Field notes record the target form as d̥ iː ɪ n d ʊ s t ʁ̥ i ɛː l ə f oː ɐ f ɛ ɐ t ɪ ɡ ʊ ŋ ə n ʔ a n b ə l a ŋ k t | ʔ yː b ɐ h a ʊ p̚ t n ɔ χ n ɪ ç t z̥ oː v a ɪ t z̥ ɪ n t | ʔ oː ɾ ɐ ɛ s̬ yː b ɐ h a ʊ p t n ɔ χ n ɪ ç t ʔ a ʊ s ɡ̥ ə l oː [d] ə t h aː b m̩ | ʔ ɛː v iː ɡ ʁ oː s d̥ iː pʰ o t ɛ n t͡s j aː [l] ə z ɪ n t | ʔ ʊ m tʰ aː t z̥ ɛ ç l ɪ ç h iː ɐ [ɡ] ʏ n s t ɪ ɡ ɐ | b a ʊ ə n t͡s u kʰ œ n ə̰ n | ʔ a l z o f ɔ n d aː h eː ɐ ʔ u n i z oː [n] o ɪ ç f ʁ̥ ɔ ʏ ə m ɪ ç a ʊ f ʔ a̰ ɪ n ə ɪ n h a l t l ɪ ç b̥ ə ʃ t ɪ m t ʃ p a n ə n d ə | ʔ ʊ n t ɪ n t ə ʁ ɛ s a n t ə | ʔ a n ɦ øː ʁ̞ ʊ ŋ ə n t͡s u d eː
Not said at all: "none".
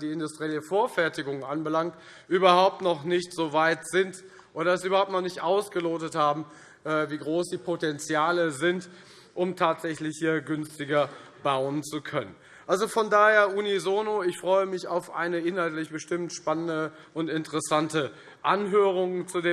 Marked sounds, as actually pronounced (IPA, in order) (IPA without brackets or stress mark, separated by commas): t, l, ɡ, n